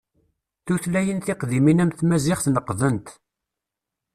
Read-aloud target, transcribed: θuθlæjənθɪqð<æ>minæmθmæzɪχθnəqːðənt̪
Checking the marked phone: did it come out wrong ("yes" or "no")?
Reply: yes